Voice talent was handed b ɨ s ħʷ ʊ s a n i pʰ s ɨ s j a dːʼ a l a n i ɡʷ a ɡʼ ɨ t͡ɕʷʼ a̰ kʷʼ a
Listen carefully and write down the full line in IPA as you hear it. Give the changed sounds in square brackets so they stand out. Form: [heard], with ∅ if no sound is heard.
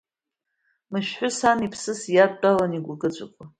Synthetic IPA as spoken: [m] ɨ [ʃ] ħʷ ʊ s a n i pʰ s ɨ s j a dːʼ a l a n i ɡʷ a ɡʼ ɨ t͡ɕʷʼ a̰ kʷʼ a